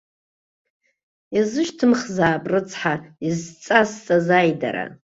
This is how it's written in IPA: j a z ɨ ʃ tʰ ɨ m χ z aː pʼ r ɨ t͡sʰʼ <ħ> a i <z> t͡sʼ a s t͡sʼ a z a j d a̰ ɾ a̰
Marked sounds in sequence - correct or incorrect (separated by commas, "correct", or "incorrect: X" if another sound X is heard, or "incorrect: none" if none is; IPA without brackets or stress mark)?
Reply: correct, correct